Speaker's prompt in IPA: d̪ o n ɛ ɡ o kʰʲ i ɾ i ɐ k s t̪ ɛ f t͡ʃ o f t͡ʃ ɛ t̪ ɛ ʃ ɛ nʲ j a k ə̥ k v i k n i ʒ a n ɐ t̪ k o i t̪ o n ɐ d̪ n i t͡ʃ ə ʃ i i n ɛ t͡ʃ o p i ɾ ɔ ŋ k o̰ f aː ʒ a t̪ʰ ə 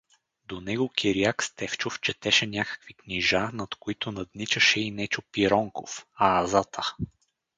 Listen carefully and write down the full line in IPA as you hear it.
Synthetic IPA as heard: d̪ o n ɛ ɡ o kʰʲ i ɾ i a k s t̪ ɛ f t͡ʃ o f t͡ʃ ɛ t̪ ɛ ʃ ɛ nʲ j a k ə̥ k v i k n i ʒ a n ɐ t̪ k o i t̪ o n ɐ d̪ n i t͡ʃ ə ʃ ɛ i n ɛ t͡ʃ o p i ɾ ɔ ŋ k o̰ f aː z a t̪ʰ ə